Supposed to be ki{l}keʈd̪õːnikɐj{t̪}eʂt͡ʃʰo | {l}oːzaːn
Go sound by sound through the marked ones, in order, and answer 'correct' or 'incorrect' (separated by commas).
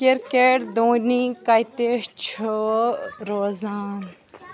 incorrect, correct, incorrect